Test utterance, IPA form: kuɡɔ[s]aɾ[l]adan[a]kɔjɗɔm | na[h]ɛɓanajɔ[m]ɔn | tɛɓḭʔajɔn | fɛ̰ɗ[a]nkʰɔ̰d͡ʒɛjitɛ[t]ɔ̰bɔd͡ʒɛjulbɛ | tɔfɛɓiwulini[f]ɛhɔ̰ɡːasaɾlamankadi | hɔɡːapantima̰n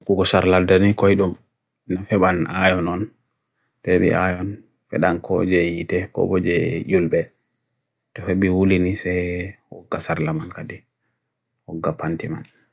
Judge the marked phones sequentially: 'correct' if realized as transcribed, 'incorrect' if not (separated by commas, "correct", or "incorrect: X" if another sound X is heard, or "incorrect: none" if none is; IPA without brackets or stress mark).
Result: correct, correct, incorrect: i, incorrect: f, incorrect: n, correct, incorrect: k, incorrect: s